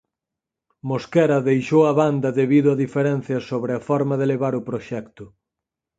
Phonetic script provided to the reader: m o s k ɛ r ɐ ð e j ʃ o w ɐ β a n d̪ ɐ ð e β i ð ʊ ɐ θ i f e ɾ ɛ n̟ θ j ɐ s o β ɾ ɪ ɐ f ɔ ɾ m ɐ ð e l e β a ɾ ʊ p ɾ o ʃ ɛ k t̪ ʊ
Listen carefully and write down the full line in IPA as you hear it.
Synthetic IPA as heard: m o s k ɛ ɾ ɐ ð e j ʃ o w ɐ β a n d̪ ɐ ð e β i ð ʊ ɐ ð i f e ɾ ɛ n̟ θ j ɐ s o β ɾ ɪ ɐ f ɔ ɾ m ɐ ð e l e β a ɾ ʊ p ɾ o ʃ ɛ k t̪ ʊ